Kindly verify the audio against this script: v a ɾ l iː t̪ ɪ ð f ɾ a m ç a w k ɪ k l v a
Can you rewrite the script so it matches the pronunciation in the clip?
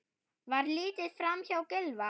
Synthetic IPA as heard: v a ɾ l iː t̪ ɪ ð f ɾ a m ç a w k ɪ l v a

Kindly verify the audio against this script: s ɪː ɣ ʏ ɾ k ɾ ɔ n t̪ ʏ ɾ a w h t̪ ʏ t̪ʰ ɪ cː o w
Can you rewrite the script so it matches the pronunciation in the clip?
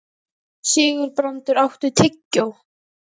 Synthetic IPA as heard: s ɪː ɣ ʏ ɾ p ɾ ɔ n t̪ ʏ ɾ a w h t̪ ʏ t̪ʰ ɪ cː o w

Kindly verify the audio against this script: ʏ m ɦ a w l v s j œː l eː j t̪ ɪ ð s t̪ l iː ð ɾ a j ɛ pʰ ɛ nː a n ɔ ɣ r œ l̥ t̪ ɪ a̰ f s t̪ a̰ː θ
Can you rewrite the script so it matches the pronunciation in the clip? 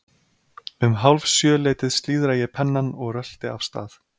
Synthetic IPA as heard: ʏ m ɦ a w l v s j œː l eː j t̪ ɪ ð s t̪ l iː ð ɾ a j ɛ pʰ ɛ nː a n ɔ ɣ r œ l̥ t̪ ɪ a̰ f s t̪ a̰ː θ

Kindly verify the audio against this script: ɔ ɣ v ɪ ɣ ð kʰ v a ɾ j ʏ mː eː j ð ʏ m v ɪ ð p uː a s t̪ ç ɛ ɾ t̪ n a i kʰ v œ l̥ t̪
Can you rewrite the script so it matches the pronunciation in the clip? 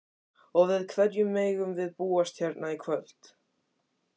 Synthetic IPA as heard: ɔ ɣ v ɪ ð kʰ v ɛ ɾ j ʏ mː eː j ɣ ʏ m v ɪ ð p uː a s t̪ ç ɛ ɾ t̪ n a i kʰ v œ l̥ t̪

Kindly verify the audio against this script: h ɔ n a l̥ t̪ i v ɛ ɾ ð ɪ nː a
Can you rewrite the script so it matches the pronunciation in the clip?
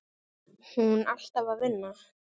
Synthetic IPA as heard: h u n a l̥ t̪ a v a ɾ v ɪ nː a

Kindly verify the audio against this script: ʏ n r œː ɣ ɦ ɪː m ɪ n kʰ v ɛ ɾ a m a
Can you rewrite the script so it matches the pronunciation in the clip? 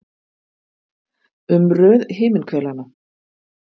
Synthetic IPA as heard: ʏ m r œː ð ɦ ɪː m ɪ n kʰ v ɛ l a n a

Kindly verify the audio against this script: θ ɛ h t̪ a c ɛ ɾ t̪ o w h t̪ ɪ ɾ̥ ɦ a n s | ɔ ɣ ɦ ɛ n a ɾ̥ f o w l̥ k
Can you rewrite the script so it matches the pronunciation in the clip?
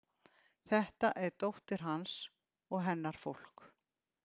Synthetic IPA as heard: θ ɛ h t̪ a ʔ ɛ ɾ t̪ o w h t̪ ɪ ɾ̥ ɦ a n s | ɔ ɣ ɦ ɛ nː a ɾ̥ f o w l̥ k

